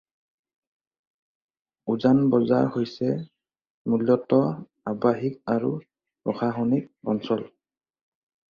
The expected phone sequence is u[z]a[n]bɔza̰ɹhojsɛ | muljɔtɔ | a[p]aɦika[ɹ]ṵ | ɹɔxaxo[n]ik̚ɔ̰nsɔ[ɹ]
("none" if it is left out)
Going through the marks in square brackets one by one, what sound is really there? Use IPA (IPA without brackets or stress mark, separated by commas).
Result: z, n, b, ɹ, n, l